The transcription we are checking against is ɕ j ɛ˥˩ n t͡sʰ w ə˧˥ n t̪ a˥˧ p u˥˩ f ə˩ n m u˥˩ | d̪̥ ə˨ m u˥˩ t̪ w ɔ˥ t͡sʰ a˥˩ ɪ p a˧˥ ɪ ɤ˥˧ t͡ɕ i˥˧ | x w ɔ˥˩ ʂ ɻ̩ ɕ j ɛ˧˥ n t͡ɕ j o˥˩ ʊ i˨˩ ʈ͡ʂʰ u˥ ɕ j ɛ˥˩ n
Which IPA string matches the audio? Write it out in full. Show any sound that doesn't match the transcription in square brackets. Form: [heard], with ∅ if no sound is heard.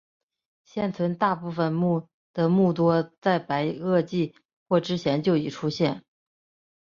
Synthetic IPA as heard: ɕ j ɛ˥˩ n t͡sʰ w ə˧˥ n t̪ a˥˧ p u˥˩ f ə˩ n m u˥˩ | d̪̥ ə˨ m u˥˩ t̪ w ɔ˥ [t͡s] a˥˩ ɪ p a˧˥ ɪ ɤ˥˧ t͡ɕ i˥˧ | x w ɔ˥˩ [ʈ͡ʂ] ɻ̩ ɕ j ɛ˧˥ n t͡ɕ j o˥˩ ʊ i˨˩ ʈ͡ʂʰ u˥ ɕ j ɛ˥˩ n